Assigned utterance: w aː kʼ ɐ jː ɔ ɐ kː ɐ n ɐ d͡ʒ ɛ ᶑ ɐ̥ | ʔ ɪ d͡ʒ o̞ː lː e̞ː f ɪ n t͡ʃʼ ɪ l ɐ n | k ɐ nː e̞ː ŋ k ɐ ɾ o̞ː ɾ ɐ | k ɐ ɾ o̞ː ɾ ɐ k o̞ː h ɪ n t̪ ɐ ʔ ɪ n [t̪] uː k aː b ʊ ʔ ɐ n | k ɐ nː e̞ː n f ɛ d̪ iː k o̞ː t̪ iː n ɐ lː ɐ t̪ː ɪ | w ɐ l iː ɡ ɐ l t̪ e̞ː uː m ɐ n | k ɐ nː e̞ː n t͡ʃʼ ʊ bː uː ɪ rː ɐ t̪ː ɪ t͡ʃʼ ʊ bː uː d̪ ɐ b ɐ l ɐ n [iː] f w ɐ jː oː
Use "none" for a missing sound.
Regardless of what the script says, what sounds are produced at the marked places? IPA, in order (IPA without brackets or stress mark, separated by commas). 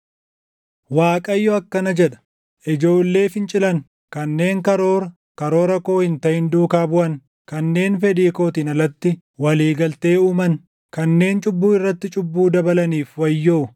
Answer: d̪, iː